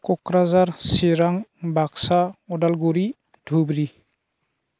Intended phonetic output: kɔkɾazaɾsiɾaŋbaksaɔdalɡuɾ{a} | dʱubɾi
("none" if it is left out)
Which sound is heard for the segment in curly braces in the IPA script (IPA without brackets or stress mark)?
i